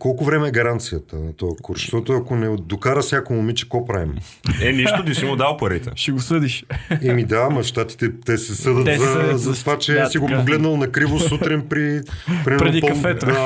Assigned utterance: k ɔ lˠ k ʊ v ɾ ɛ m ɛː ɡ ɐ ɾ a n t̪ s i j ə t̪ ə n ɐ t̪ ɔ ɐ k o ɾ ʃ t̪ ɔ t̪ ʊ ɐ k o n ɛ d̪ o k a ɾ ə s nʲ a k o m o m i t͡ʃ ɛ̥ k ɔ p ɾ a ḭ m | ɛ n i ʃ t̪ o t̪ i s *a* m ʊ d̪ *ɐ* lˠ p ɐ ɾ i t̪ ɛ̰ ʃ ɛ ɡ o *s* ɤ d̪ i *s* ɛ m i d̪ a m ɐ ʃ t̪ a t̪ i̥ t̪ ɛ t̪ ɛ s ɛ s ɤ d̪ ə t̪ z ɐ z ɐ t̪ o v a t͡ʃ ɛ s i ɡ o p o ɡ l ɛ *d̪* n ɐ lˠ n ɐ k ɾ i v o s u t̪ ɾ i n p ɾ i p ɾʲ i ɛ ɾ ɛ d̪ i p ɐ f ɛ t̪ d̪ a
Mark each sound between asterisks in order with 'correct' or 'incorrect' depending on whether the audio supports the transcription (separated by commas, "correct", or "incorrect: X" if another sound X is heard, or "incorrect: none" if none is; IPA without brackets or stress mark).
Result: incorrect: i, incorrect: a, correct, incorrect: ʃ, correct